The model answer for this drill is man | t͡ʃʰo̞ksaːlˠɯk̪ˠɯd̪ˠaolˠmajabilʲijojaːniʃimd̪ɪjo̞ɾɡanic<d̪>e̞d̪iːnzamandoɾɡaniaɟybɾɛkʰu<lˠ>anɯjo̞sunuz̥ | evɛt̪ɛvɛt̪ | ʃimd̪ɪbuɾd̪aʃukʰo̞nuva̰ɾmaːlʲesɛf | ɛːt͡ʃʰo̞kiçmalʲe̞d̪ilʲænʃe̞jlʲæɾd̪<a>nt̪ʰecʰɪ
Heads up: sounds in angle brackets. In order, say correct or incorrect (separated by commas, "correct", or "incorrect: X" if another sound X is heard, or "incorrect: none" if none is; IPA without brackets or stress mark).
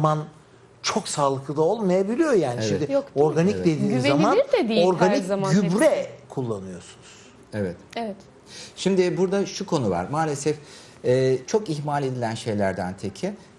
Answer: correct, incorrect: lˠː, incorrect: æ